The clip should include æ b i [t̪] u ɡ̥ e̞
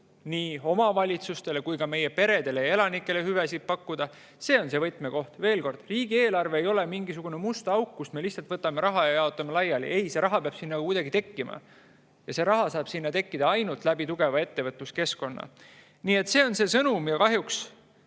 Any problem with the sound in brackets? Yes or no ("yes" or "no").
no